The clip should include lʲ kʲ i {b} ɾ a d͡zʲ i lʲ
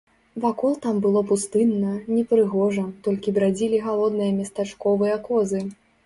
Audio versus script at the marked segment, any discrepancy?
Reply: no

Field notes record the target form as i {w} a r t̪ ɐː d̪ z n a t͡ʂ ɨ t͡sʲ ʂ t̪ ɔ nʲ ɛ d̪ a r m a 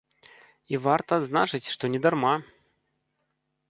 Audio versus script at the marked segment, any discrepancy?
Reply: yes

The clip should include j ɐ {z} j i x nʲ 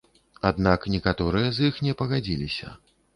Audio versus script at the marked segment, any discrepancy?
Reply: no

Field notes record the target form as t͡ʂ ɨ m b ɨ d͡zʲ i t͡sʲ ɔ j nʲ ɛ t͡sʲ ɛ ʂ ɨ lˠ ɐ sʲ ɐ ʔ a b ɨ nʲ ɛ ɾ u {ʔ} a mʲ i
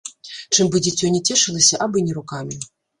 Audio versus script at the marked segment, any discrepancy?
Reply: yes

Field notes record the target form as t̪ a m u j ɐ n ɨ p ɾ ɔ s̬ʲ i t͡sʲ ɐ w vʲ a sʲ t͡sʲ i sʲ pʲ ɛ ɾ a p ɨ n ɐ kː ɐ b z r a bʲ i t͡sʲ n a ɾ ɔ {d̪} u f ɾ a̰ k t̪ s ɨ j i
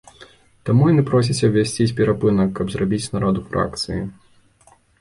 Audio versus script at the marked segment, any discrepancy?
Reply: no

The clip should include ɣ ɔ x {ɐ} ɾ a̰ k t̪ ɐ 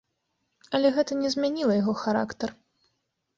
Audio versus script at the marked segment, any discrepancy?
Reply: yes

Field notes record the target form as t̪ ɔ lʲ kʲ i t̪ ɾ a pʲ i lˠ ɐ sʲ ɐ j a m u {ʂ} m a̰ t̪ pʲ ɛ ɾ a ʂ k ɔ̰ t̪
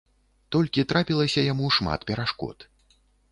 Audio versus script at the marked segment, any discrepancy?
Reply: no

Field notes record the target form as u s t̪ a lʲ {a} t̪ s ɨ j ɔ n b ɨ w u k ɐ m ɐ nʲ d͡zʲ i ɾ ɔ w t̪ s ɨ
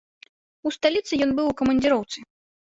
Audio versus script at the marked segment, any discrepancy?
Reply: yes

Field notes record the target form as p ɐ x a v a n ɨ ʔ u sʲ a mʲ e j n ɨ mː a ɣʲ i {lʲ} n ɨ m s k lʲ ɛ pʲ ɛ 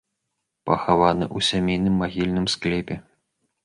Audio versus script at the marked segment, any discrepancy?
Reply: no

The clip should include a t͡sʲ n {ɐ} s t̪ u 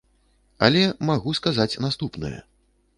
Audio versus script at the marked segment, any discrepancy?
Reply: yes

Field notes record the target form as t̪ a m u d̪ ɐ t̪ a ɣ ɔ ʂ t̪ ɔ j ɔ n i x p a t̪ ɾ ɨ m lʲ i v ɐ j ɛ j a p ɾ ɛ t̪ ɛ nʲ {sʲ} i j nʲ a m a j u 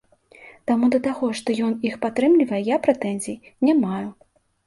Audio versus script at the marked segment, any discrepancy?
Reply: yes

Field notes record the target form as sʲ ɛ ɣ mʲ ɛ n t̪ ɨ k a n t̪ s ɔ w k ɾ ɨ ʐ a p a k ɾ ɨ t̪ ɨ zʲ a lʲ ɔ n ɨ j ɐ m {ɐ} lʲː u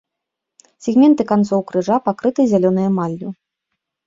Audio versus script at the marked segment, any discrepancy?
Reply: yes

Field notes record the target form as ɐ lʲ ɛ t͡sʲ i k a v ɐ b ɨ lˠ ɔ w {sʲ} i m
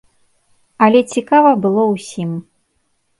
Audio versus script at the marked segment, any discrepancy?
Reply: no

